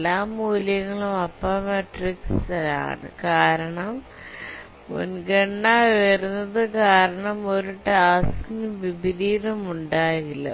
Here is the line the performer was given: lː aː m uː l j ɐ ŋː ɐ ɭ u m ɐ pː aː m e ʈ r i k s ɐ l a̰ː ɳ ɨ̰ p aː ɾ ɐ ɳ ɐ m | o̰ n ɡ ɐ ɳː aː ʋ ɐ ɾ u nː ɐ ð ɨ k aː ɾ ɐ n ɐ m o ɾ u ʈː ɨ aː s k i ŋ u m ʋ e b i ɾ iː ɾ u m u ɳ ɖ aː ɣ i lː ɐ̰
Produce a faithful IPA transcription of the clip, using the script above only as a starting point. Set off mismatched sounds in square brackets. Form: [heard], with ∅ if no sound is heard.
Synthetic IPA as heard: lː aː m uː l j ɐ ŋː ɐ ɭ u m ɐ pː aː m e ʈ r i k s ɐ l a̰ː ɳ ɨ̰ [k] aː ɾ ɐ ɳ ɐ m | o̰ n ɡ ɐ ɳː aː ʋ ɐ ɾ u nː ɐ ð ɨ k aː ɾ ɐ [ɳ] ɐ m o ɾ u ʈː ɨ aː s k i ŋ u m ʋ [i] b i ɾ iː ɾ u m u ɳ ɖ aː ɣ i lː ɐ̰